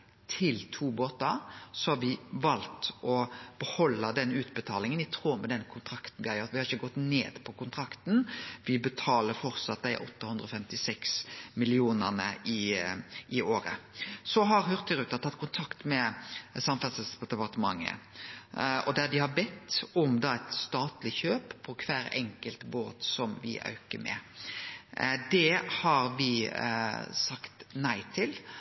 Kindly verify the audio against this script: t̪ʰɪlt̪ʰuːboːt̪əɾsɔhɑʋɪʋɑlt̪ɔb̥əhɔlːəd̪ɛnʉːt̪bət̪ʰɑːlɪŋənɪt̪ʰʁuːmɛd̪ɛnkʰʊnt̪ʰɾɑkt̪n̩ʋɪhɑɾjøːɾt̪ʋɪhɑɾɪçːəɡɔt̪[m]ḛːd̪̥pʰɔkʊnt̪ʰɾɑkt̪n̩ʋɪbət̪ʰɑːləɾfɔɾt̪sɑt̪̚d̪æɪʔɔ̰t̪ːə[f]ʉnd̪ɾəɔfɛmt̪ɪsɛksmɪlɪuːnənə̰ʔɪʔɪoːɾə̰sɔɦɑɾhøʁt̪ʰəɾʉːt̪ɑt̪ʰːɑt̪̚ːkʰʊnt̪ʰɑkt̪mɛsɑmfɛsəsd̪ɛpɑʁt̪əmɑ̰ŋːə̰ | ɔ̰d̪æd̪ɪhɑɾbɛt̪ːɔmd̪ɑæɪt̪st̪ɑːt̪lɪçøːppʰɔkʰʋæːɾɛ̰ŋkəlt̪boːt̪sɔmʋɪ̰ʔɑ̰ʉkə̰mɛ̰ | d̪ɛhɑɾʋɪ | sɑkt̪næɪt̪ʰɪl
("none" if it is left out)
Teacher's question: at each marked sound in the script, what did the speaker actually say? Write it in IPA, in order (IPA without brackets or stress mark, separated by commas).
n, h